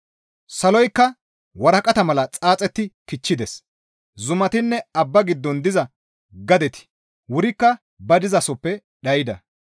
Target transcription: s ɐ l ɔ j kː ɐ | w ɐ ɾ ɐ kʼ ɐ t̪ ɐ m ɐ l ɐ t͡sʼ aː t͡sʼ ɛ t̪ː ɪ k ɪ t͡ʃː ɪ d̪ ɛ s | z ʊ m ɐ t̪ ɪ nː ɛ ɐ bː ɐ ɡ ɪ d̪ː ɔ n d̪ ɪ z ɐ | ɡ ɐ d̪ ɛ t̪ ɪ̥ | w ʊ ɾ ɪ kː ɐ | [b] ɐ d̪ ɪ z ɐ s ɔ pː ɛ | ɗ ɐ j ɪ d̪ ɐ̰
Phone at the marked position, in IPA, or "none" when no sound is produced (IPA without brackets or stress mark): b